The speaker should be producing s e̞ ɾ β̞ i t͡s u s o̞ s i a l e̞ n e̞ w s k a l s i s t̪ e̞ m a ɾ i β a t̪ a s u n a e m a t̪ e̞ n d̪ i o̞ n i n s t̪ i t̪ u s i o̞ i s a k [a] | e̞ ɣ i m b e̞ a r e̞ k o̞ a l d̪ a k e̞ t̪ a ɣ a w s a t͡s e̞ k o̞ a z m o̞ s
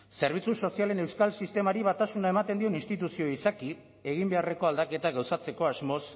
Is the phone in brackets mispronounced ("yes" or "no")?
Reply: yes